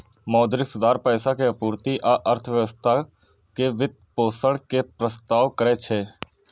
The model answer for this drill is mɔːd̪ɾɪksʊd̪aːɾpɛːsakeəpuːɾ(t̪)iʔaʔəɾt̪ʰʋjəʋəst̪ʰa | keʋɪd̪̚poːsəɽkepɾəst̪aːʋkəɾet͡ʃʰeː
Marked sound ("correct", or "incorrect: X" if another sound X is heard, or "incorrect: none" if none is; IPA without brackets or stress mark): correct